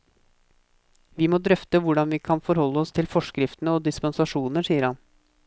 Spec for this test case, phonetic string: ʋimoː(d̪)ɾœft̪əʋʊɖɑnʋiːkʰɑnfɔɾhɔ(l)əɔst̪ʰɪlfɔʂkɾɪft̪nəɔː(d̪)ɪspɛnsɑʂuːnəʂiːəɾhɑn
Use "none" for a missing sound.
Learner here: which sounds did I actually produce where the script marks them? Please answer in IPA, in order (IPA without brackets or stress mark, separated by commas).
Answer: d̪, lː, d̪